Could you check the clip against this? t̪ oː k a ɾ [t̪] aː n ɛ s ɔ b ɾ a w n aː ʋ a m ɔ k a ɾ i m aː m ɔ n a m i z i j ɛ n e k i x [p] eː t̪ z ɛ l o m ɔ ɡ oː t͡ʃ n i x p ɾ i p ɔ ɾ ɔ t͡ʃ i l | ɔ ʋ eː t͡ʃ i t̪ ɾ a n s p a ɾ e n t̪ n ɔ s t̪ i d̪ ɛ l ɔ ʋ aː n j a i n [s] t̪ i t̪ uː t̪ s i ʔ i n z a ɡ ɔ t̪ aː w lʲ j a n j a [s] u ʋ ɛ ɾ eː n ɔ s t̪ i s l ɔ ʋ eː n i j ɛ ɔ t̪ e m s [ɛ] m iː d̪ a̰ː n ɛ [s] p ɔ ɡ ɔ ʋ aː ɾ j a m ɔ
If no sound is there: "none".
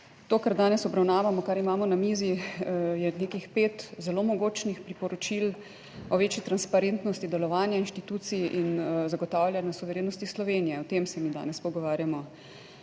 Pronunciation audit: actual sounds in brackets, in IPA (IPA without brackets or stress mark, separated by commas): d̪, p, ʃ, s, ɛ, s